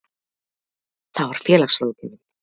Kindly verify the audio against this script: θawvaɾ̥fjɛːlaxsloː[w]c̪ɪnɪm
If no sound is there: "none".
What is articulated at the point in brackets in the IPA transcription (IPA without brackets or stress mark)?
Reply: w